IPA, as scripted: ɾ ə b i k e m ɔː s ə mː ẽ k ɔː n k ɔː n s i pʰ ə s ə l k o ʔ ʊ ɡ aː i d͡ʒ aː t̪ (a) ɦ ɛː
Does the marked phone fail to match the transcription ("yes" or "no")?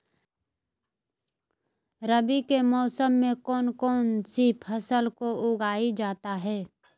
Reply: no